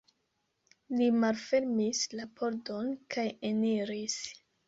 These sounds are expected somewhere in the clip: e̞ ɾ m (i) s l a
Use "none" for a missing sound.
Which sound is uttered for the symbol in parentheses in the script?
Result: i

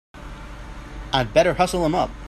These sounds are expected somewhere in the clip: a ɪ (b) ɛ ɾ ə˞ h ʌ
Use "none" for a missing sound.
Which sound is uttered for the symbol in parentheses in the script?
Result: b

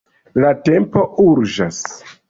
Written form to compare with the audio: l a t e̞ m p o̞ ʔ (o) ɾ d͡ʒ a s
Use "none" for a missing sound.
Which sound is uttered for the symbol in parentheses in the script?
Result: u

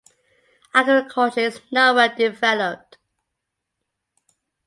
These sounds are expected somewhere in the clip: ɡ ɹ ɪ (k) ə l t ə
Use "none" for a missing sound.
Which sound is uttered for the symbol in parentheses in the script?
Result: kʰ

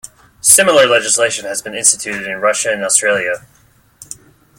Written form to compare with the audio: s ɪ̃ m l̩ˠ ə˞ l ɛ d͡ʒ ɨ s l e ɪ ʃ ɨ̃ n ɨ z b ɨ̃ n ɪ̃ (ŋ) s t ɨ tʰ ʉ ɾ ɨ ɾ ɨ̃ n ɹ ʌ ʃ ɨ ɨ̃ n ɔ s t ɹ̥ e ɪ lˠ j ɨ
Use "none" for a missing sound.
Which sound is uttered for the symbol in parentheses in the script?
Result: n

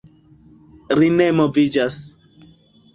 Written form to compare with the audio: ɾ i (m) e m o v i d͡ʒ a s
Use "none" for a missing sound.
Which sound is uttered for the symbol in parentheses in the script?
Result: n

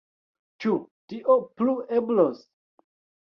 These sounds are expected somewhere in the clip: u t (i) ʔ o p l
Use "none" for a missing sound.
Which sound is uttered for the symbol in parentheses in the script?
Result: i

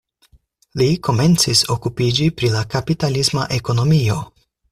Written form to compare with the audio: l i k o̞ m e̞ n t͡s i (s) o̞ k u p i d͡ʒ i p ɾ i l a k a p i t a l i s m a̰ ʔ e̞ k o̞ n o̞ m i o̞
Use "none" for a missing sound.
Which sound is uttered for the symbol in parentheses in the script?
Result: s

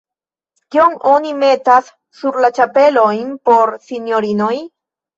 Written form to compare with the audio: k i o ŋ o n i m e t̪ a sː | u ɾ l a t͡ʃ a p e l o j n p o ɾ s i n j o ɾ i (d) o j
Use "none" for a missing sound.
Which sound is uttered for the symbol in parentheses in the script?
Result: n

